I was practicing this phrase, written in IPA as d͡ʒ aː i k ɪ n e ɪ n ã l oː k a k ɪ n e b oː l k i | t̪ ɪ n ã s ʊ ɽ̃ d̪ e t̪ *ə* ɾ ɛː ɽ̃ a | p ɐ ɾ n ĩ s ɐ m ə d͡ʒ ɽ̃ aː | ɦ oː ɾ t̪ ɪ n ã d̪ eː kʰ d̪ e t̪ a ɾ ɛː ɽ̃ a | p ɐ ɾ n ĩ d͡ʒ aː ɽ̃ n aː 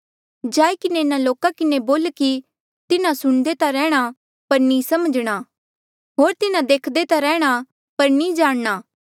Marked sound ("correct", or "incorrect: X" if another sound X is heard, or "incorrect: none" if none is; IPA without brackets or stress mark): incorrect: a